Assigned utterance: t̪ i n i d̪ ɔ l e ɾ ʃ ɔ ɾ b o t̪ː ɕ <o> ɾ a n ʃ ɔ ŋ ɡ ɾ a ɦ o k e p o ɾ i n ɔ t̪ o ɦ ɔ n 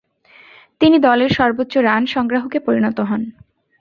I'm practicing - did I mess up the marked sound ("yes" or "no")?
no